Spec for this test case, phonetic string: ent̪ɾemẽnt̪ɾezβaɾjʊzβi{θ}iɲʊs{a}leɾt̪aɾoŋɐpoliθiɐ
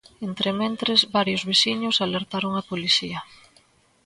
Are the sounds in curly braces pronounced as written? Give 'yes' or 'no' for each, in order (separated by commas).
no, yes